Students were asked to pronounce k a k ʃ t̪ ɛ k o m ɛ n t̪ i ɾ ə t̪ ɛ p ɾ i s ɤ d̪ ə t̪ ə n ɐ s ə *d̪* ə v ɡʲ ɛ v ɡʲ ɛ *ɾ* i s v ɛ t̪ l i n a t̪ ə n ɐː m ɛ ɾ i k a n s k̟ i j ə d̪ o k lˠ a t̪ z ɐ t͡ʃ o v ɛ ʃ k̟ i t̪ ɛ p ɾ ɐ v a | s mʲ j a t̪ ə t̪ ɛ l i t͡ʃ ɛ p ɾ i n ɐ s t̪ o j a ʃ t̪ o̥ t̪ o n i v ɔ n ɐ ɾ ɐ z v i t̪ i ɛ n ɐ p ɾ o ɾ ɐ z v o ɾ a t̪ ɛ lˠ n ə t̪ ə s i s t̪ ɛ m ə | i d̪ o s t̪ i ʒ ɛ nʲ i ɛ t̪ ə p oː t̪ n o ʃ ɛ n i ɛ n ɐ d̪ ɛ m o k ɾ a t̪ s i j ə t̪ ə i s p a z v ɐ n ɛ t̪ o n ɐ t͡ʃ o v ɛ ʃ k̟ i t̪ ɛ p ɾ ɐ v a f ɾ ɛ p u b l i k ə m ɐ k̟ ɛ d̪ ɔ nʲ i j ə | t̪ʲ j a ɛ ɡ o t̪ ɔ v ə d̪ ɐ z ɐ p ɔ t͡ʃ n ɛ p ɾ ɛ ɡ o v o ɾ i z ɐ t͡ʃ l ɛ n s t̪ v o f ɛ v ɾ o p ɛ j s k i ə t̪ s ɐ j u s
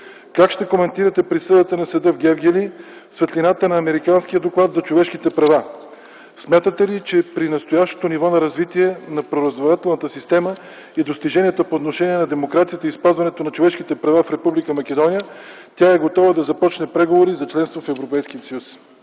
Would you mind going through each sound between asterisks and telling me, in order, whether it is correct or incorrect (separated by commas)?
correct, incorrect